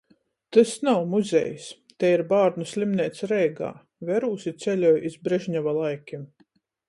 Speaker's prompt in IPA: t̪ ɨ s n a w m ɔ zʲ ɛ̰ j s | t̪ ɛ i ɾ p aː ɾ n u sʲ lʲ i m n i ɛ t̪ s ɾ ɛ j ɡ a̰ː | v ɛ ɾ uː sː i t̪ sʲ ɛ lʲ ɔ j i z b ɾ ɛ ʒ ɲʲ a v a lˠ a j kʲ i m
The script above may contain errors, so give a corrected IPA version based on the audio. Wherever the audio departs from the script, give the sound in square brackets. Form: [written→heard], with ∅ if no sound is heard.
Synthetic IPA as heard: t̪ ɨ s n a w m [ɔ→u] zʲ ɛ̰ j s | t̪ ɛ i ɾ [p→b] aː ɾ n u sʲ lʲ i m n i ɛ t̪ s ɾ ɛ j ɡ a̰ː | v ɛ ɾ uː [sː→s] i t̪ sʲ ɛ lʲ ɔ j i z b ɾ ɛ ʒ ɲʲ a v a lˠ a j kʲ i m